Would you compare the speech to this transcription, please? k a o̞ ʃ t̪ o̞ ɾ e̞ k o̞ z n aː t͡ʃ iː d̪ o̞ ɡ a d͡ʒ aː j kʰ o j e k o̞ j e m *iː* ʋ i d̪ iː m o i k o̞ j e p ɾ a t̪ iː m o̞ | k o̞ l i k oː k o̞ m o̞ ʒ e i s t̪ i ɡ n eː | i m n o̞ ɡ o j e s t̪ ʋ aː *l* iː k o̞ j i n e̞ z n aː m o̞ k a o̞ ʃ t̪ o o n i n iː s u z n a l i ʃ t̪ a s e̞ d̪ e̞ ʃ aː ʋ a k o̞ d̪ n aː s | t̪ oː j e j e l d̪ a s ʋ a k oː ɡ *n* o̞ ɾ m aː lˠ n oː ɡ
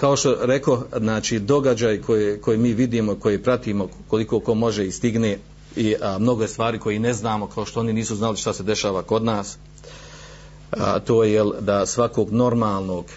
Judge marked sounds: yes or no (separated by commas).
yes, no, yes